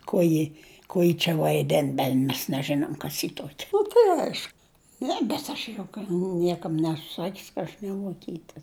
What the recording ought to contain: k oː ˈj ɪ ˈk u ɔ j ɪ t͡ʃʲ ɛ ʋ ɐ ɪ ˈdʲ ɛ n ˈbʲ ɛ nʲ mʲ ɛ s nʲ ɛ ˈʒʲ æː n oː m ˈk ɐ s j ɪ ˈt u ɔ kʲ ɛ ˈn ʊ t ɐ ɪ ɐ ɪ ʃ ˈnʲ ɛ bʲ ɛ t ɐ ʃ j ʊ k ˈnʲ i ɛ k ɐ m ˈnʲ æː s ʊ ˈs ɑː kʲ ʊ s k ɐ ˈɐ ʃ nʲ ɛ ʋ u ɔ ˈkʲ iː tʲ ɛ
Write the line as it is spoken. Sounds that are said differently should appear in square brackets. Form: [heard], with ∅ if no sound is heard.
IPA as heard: k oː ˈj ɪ ˈk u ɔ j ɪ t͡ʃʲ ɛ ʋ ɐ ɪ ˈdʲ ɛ n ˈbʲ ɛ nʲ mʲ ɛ s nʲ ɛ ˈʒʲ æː n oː m ˈk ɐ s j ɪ ˈt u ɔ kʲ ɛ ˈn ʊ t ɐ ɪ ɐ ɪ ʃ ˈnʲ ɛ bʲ ɛ t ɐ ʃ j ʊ k ˈnʲ i ɛ k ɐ m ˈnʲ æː s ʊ ˈs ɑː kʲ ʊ s k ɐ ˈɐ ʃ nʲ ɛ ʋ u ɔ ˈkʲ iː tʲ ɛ